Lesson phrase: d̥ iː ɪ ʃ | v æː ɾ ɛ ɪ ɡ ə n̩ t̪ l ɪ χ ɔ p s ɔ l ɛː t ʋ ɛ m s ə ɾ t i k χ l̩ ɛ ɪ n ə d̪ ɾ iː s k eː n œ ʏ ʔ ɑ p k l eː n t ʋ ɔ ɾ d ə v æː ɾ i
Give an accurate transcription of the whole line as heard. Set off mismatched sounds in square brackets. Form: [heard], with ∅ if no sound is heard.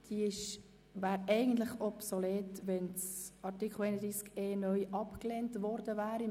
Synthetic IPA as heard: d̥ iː ɪ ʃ | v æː ɾ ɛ ɪ ɡ ə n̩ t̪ l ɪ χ ɔ p s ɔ l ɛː t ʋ ɛ [n] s [ɑ] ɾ t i k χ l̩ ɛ ɪ n ə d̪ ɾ iː s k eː n œ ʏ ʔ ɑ p k l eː n t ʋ ɔ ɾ d ə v æː ɾ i